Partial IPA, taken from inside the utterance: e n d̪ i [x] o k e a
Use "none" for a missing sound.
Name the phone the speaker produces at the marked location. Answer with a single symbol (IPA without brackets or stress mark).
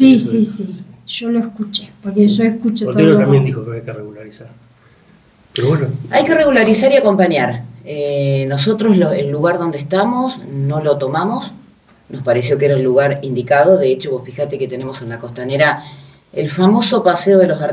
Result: x